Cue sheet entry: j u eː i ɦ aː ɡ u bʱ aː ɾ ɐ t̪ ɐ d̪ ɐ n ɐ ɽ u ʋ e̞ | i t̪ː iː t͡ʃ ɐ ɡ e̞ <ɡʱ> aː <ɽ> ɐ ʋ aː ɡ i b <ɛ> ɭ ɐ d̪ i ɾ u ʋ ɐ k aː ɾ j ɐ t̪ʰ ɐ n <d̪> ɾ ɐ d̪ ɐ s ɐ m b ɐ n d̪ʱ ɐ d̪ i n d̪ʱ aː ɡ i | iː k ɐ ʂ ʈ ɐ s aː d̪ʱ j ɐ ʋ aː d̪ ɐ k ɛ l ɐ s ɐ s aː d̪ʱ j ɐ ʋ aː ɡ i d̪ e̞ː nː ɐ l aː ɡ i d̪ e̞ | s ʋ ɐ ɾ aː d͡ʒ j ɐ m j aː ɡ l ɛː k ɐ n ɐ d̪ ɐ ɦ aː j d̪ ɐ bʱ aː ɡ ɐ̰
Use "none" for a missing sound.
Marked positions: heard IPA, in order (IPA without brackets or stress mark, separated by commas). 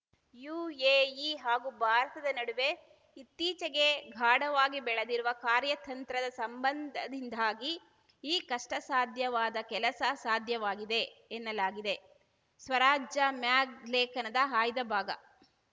ɡʱ, ɽ, ɛ, t̪